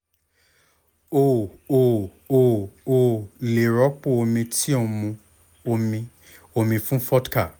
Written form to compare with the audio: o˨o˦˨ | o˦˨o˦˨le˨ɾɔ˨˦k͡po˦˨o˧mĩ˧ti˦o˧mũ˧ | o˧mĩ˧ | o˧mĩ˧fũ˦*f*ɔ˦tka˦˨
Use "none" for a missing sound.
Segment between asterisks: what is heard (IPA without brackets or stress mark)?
f